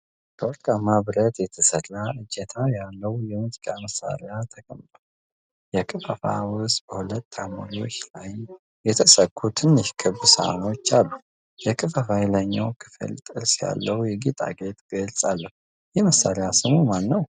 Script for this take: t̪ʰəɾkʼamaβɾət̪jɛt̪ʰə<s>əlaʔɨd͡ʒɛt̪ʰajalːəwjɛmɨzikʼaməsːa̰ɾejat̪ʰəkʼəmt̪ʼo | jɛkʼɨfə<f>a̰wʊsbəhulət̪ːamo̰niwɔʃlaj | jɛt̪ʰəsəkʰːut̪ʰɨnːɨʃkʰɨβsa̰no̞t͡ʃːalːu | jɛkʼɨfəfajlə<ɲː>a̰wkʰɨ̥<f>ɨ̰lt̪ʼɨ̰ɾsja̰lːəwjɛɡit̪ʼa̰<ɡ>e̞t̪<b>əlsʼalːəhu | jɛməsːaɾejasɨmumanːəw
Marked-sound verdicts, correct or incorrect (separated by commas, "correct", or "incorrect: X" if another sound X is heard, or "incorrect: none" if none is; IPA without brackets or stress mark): correct, correct, correct, correct, correct, incorrect: ɡ